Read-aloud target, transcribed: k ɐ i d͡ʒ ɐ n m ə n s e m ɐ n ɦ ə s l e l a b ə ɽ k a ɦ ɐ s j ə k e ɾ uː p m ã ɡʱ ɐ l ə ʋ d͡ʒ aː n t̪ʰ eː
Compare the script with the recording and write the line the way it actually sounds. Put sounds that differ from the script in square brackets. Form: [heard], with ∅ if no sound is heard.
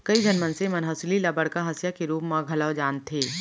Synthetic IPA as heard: k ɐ i d͡ʒ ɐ n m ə n s e m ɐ n ɦ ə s l [i] l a b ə ɽ k a ɦ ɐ s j [a] k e ɾ uː p m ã ɡʱ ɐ l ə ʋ d͡ʒ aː n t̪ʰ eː

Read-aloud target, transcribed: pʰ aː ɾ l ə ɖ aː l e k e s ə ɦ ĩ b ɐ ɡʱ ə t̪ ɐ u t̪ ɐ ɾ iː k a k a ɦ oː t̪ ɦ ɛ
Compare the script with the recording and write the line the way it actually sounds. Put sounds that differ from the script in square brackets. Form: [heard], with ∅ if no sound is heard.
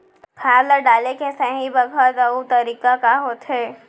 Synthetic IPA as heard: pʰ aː ɾ l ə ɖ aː l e k e s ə ɦ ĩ b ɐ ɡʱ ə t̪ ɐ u t̪ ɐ ɾ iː k a k a ɦ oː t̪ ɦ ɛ

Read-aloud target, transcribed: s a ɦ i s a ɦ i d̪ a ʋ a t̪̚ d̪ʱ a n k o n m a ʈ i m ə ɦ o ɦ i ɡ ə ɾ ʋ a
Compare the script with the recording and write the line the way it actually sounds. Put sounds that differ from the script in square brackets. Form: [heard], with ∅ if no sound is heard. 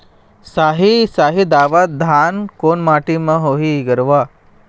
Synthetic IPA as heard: s a ɦ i s a ɦ i d̪ a ʋ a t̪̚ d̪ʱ a n k o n m a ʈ i m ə ɦ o ɦ i ɡ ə ɾ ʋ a

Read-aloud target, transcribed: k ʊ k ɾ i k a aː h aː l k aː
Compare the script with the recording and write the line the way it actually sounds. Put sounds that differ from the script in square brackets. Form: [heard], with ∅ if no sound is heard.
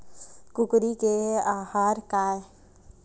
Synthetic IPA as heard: k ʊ k ɾ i k [e] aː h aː [ɾ] k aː

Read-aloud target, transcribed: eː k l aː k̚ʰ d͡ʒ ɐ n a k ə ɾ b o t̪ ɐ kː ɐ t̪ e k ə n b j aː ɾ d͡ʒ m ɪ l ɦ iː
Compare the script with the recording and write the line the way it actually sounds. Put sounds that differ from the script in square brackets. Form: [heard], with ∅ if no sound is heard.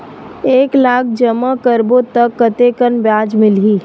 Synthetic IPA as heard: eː k l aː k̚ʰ d͡ʒ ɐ [m] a k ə ɾ b o t̪ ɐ kː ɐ t̪ e k ə n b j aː [∅] d͡ʒ m ɪ l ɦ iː

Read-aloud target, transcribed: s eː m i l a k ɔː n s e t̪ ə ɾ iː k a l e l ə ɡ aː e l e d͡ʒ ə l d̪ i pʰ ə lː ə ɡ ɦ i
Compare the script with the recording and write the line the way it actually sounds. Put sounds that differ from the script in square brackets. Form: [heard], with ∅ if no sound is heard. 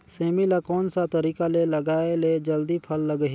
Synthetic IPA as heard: s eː m i l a k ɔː n s [a] t̪ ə ɾ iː k a l e l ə ɡ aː e l e d͡ʒ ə l d̪ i pʰ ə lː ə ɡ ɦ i

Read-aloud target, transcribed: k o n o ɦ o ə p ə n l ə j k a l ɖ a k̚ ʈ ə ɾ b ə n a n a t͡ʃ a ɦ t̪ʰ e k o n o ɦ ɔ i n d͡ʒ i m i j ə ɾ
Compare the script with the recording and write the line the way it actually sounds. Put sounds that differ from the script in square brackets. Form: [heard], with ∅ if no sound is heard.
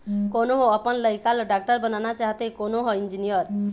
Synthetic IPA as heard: k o n o ɦ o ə p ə n l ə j k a l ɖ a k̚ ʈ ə ɾ b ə n a n a t͡ʃ a ɦ [t̪] e k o n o ɦ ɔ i n d͡ʒ i [n] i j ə ɾ

